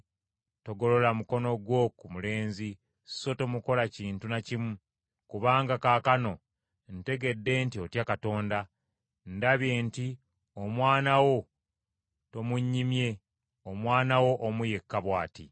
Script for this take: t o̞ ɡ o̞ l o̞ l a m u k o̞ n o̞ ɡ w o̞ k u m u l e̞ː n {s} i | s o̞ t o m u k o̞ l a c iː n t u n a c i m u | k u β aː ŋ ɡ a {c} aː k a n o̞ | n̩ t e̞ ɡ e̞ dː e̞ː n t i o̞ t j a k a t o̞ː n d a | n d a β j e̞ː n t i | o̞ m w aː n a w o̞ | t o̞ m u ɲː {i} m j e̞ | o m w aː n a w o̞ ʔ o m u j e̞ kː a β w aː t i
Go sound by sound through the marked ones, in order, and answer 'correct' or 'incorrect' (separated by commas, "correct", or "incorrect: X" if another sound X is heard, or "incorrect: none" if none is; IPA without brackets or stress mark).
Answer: incorrect: z, incorrect: k, correct